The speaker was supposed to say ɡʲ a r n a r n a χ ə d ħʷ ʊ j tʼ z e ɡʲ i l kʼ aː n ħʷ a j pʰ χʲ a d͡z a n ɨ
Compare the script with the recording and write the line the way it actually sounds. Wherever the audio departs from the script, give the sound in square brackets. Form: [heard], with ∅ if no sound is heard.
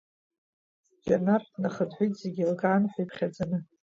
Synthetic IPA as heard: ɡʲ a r n a r n a χ ə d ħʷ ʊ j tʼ z e ɡʲ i l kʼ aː n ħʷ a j pʰ χʲ a d͡z a n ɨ